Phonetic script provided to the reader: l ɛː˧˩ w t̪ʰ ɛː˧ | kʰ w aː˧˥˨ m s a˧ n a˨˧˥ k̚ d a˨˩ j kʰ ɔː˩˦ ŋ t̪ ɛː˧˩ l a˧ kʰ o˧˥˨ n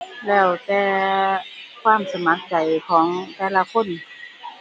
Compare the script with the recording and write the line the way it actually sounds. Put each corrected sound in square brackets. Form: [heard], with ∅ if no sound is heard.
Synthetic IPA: l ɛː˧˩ w [t̪] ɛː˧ | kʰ w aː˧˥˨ m s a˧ [m] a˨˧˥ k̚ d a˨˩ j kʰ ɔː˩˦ ŋ t̪ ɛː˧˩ l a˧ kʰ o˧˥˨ n

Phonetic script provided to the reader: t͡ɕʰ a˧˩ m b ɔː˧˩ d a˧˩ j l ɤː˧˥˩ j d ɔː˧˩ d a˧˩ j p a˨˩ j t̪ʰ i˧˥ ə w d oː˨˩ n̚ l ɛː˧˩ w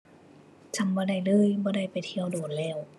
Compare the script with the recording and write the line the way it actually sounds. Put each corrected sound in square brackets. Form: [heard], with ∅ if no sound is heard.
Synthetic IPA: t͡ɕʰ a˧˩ m b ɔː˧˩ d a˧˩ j l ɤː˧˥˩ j [b] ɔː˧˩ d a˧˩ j p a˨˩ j t̪ʰ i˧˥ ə w d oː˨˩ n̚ l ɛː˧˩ w

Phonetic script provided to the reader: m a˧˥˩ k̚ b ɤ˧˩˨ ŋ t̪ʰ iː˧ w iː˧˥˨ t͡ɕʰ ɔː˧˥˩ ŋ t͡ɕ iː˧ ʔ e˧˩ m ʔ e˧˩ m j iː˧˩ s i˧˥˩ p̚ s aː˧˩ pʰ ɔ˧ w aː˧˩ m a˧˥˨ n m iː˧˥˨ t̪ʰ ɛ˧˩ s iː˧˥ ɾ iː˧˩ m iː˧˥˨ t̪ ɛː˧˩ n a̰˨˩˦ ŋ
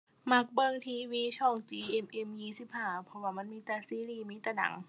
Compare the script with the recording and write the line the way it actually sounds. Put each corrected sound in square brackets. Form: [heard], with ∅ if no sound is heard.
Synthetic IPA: m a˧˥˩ k̚ b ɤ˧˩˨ ŋ t̪ʰ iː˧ w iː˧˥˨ t͡ɕʰ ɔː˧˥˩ ŋ t͡ɕ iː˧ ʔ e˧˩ m ʔ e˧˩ m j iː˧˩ s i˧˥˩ p̚ [h] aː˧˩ pʰ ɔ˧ w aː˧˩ m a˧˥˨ n m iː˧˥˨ [t̪] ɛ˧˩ s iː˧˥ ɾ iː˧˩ m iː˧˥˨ t̪ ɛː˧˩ n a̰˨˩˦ ŋ

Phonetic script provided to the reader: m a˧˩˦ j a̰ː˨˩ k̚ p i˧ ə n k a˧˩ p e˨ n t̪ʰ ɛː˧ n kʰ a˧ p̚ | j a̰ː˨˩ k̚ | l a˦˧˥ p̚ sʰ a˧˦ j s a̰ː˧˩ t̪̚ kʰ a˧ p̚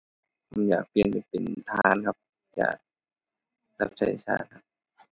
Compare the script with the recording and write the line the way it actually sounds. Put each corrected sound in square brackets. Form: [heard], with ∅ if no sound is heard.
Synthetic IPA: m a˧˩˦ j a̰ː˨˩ k̚ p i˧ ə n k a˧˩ p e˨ n t̪ʰ [aː˧] n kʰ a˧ p̚ | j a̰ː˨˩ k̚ | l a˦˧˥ p̚ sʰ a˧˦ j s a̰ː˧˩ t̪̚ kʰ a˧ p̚

